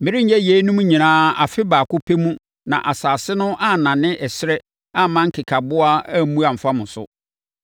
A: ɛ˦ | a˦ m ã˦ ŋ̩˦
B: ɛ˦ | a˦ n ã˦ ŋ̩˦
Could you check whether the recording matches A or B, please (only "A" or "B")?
A